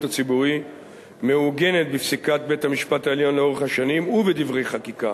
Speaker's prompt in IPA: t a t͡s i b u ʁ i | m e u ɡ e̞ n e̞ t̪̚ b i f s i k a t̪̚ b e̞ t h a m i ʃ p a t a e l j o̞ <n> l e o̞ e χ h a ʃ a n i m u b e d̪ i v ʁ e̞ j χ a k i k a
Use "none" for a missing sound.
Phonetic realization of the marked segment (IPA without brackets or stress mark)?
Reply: n